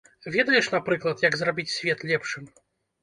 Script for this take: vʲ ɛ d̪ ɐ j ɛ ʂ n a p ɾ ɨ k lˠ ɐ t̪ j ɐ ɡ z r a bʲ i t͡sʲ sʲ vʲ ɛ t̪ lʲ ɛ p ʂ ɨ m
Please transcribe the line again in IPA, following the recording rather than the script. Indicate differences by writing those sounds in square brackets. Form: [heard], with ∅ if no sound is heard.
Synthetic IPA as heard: vʲ ɛ d̪ ɐ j ɛ ʂ n a p ɾ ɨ k lˠ ɐ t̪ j ɐ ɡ z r a bʲ i t͡sʲ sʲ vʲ ɛ t̪ lʲ ɛ p ʂ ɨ m